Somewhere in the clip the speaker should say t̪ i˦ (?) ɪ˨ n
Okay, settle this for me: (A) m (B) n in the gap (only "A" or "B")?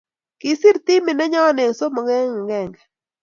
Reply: A